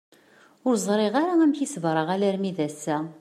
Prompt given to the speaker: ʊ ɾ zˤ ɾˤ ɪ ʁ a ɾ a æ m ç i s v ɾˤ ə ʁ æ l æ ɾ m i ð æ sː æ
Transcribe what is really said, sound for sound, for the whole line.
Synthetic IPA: ʊ ɾ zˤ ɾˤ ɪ ʁ a ɾ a æ m ç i s v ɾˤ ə ʁ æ l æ ɾ m i ð æ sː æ